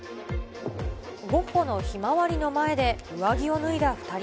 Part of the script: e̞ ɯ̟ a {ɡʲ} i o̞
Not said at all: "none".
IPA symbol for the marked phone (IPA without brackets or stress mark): ɡʲ